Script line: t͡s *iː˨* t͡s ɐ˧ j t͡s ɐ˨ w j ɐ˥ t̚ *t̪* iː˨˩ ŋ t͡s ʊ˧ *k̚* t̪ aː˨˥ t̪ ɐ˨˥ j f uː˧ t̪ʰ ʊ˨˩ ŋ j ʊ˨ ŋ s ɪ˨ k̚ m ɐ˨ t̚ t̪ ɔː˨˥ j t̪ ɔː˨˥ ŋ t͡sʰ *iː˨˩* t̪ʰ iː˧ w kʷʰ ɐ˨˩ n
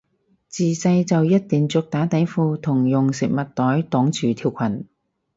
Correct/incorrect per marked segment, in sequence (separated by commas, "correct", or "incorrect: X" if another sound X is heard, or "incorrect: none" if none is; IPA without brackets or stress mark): correct, correct, correct, incorrect: yː˨˩